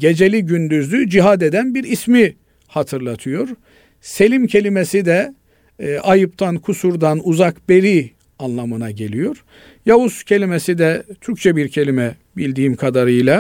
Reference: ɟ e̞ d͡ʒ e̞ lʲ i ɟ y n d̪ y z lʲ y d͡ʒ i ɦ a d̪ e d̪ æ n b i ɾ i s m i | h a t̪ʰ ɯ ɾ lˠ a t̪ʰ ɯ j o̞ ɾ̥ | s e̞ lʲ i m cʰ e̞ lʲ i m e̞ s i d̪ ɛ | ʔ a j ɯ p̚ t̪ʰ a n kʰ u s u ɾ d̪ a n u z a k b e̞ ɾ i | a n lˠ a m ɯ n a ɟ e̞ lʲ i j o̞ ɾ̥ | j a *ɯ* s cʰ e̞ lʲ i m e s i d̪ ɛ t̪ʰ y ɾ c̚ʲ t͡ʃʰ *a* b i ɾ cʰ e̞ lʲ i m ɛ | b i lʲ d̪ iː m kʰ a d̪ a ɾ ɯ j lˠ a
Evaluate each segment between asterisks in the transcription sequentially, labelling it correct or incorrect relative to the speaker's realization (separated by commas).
incorrect, incorrect